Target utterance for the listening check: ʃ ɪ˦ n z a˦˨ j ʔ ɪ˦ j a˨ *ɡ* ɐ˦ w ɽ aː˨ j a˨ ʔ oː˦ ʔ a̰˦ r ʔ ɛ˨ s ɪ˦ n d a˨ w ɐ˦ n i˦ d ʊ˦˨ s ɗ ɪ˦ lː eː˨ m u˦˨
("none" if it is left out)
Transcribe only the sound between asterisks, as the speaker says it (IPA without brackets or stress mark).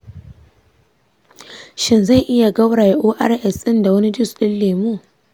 ɡ